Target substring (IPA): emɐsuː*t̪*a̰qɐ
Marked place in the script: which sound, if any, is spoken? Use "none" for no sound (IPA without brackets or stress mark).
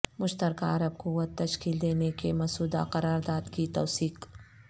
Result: d̪